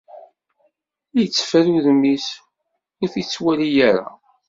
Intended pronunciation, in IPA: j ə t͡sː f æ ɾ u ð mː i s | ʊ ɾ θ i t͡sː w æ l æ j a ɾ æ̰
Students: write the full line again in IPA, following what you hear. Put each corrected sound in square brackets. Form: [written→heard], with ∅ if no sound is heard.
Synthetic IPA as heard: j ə t͡sː f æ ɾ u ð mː i s | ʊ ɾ θ i t͡sː w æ l [æ→i] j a ɾ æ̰